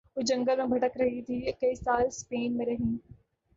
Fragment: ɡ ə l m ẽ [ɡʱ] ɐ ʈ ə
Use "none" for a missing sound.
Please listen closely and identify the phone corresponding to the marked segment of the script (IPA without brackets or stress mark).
bʱ